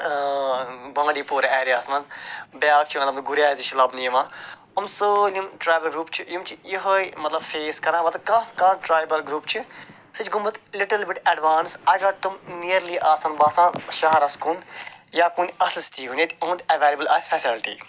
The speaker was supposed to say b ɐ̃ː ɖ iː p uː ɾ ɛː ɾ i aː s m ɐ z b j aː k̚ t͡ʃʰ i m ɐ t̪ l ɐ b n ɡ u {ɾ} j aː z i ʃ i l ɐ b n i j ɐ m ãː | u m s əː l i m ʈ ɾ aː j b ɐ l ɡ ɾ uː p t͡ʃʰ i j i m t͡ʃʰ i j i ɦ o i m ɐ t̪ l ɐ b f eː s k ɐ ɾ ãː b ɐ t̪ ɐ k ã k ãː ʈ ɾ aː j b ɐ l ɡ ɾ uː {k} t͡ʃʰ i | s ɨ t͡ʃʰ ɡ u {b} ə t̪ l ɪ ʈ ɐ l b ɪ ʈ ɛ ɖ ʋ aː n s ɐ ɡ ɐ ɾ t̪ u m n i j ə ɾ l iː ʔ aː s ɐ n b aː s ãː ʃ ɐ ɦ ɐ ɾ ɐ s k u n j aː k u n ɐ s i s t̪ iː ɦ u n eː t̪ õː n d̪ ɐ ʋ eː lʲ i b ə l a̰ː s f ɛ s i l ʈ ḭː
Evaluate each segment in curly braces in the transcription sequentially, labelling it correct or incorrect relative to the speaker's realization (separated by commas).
correct, incorrect, incorrect